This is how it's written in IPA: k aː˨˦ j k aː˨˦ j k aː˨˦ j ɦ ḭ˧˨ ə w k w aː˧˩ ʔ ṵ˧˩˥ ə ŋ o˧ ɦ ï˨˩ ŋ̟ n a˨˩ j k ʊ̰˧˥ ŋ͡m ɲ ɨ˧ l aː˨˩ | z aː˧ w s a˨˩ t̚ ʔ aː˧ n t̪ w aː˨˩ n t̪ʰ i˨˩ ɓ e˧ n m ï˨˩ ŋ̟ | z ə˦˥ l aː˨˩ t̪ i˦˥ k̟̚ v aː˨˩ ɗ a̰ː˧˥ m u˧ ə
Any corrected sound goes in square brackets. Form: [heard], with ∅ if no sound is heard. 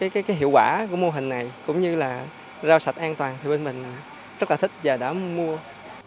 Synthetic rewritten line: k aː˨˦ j k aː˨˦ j k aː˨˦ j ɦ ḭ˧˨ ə w k w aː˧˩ [k] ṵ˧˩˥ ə [m] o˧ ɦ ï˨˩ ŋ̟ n a˨˩ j k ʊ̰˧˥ ŋ͡m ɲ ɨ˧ l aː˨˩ | z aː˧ w s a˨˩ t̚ ʔ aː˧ n t̪ w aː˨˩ n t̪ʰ i˨˩ ɓ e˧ n m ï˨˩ ŋ̟ | z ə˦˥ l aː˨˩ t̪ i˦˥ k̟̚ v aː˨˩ ɗ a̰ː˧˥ m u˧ ə